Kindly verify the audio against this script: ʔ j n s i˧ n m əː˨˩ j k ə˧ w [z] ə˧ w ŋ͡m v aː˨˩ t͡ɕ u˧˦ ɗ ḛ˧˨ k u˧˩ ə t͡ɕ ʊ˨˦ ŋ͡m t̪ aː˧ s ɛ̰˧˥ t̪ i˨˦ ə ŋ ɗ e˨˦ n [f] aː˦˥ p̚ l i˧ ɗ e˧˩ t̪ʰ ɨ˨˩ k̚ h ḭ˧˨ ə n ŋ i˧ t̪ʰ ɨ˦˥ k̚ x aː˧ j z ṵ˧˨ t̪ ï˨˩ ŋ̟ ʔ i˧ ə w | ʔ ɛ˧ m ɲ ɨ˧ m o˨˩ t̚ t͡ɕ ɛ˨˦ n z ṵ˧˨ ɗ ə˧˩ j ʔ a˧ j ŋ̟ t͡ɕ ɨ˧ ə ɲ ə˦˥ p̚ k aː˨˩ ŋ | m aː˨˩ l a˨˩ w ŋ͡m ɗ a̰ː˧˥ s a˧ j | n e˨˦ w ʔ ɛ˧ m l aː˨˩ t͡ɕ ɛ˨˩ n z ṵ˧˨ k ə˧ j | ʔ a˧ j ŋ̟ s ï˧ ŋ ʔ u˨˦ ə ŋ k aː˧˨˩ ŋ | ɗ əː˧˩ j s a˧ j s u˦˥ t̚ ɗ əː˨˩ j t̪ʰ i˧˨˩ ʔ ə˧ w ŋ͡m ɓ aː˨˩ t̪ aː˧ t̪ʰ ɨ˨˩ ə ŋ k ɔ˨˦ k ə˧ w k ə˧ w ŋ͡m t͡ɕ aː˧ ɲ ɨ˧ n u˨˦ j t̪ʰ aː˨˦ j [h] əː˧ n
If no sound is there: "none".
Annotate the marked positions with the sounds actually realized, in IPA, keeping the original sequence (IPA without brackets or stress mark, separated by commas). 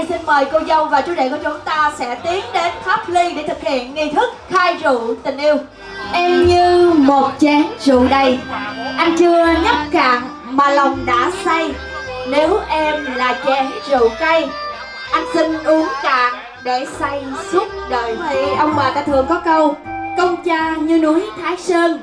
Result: z, f, s